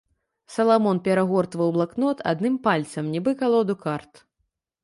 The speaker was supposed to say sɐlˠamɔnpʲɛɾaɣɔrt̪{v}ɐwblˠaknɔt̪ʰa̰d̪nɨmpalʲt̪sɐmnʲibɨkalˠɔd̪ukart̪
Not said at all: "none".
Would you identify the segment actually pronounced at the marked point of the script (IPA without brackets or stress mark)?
v